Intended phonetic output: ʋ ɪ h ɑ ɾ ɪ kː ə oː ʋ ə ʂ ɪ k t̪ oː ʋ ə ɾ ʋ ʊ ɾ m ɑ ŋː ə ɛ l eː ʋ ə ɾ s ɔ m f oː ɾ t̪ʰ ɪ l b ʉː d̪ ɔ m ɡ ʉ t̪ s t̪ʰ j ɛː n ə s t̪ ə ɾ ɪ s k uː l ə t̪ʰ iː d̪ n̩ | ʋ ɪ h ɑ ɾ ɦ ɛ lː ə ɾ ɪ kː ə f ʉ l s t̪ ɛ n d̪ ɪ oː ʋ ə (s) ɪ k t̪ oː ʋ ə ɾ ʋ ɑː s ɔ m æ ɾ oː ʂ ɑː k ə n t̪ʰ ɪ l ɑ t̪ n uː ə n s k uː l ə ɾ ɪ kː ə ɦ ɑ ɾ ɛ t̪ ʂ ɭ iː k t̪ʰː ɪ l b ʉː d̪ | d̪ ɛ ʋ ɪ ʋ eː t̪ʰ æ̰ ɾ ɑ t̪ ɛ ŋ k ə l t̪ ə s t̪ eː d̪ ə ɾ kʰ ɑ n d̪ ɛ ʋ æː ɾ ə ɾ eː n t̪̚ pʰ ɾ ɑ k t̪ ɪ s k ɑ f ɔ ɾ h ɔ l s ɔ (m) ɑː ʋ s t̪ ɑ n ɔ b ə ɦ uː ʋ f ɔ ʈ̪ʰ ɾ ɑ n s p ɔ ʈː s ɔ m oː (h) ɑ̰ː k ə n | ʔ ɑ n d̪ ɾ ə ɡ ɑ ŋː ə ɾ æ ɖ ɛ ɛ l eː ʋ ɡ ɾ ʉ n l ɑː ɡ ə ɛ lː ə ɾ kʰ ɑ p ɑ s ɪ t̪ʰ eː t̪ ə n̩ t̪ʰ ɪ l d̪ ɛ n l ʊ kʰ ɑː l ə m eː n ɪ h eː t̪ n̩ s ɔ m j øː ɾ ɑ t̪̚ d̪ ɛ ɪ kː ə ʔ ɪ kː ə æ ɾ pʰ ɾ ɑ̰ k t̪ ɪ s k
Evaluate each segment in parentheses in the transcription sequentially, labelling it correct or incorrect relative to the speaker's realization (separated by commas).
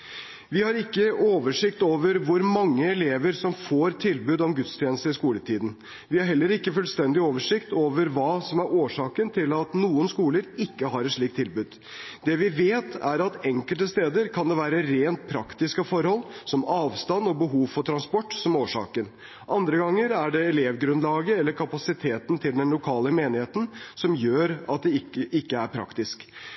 incorrect, correct, incorrect